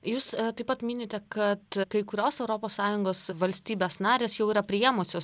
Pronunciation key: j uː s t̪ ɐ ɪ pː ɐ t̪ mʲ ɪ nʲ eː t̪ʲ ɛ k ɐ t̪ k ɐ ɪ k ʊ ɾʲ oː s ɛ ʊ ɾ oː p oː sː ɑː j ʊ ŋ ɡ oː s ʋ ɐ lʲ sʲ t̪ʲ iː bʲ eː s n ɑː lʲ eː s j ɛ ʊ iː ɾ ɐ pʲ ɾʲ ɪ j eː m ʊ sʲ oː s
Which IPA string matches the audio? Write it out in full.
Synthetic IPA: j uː s t̪ ɐ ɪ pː ɐ t̪ mʲ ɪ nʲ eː t̪ʲ ɛ k ɐ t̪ k ɐ ɪ k ʊ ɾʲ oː s ɛ ʊ ɾ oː p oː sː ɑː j ʊ ŋ ɡ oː s ʋ ɐ lʲ sʲ t̪ʲ iː bʲ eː s n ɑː ɾʲ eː s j ɛ ʊ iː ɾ ɐ pʲ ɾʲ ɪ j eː m ʊ sʲ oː s